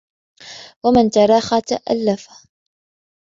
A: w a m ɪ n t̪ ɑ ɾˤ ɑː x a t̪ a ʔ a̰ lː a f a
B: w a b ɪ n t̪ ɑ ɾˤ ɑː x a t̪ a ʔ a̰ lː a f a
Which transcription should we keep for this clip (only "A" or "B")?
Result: A